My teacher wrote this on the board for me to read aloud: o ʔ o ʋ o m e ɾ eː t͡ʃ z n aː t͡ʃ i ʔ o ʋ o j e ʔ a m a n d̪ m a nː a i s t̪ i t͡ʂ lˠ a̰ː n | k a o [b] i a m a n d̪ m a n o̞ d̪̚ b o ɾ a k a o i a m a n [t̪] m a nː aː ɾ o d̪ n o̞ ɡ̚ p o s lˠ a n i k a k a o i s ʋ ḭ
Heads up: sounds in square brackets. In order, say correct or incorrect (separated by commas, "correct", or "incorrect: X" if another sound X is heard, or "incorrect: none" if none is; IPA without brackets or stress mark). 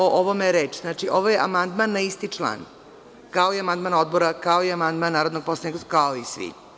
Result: incorrect: none, incorrect: d̪